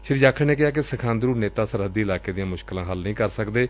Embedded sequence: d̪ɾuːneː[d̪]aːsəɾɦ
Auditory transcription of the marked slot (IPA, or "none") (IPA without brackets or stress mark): t̪